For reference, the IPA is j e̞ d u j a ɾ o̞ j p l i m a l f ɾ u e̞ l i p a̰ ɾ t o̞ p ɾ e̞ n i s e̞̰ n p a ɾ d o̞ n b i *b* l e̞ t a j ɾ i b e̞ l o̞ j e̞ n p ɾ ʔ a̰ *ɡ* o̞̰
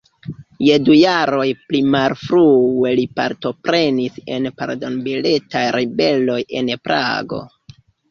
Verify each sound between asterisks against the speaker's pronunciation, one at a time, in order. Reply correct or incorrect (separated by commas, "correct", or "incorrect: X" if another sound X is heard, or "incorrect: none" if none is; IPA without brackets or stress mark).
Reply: incorrect: none, correct